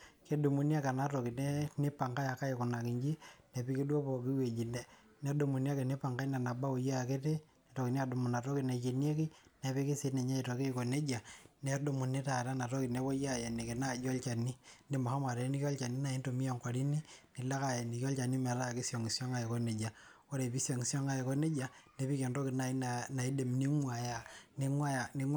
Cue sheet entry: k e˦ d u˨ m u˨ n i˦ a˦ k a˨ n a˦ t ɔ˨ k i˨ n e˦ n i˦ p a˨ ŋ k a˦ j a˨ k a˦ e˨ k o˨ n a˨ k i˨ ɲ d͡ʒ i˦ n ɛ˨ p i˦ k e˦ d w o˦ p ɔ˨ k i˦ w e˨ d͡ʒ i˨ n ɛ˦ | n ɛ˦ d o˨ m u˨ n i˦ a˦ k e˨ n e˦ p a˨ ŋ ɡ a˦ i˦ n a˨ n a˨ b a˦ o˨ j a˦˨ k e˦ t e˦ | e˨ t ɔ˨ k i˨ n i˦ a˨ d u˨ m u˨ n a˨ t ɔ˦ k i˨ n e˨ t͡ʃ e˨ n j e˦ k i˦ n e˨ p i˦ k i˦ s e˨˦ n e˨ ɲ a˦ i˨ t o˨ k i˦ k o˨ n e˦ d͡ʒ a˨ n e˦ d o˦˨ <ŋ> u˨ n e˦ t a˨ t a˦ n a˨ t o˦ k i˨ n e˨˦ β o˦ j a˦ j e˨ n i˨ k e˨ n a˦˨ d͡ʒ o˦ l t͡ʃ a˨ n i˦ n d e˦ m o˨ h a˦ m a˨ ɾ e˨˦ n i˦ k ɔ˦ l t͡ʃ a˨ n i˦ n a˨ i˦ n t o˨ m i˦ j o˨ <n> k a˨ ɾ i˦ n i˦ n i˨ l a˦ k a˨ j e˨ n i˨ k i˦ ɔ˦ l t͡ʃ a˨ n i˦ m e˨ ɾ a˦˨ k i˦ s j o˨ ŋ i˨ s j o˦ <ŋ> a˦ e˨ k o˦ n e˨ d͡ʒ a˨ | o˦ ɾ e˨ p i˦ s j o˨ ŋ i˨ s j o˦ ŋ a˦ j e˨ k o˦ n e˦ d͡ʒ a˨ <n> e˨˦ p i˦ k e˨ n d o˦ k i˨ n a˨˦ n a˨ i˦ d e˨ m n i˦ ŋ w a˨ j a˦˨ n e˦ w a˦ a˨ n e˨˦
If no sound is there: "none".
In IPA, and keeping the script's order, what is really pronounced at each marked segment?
m, ŋ, ŋ, n

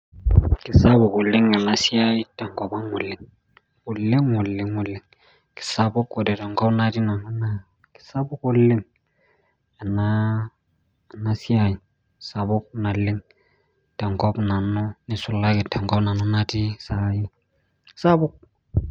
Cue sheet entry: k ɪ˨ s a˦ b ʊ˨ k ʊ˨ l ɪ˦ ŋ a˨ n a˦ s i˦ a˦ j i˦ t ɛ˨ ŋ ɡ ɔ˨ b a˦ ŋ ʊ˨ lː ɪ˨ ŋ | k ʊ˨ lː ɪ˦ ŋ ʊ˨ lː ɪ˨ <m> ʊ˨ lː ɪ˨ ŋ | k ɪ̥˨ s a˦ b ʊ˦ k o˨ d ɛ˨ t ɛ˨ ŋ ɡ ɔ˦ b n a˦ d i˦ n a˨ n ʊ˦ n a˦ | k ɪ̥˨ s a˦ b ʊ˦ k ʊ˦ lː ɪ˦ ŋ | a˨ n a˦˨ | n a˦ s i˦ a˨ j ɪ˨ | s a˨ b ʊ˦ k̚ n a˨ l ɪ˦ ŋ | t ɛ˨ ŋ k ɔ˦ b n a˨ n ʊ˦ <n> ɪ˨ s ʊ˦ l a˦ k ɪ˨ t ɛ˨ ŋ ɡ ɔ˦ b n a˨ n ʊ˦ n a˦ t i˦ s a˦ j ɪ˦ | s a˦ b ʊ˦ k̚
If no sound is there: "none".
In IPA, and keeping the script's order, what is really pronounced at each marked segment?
ŋ, n

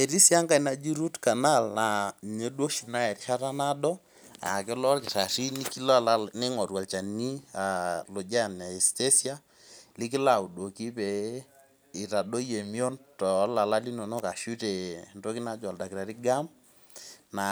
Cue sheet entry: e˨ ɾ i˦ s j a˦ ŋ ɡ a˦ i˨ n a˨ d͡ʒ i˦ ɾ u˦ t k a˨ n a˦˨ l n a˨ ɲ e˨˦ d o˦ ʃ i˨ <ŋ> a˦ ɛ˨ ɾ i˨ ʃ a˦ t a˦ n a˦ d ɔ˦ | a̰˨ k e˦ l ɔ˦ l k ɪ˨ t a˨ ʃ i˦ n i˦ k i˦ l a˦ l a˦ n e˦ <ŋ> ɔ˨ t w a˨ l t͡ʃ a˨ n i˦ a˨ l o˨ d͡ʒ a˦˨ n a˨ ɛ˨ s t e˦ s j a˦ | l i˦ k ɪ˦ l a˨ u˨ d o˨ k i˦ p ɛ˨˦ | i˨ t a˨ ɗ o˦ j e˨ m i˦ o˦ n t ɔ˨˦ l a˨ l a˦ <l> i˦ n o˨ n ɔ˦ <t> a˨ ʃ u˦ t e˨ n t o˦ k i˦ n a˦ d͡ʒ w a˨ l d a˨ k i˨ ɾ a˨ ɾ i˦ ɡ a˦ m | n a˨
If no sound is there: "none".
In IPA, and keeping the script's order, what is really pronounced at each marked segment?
n, ŋ, l, k

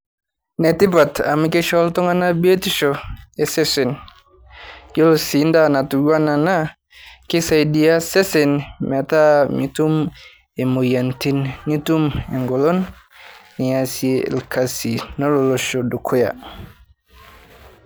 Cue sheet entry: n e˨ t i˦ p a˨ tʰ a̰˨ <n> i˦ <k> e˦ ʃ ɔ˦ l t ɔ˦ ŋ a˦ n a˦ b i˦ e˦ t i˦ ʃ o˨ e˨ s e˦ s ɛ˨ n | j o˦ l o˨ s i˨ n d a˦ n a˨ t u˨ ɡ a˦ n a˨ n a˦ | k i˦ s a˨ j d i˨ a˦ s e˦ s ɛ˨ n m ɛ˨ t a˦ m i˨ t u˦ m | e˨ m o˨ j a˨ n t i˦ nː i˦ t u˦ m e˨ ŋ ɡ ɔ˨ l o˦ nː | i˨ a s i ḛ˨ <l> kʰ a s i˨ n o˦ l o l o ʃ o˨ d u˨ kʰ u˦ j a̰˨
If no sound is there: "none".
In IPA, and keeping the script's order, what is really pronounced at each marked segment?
m, k, l

